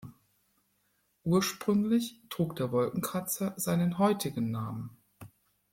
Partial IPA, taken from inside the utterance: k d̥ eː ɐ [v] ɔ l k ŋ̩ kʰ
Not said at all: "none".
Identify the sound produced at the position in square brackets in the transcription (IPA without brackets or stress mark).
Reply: v